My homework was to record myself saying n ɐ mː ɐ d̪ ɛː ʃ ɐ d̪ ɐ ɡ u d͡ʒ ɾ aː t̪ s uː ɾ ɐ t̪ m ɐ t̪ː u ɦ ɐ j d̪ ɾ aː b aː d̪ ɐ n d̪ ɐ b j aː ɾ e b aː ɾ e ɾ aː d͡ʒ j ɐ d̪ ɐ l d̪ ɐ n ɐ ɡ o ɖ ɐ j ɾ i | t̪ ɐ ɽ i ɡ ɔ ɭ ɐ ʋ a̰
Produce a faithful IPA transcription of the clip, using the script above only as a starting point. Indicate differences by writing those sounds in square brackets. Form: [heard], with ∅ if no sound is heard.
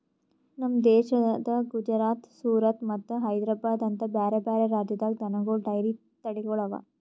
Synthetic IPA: n ɐ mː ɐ d̪ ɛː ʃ ɐ d̪ ɐ ɡ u d͡ʒ ɾ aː t̪ s uː ɾ ɐ t̪ m ɐ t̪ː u ɦ ɐ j d̪ ɾ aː b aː d̪ ɐ n [t̪] ɐ b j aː ɾ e b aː ɾ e ɾ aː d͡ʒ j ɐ d̪ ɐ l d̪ ɐ n ɐ ɡ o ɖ ɐ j ɾ i | t̪ ɐ ɽ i ɡ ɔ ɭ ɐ ʋ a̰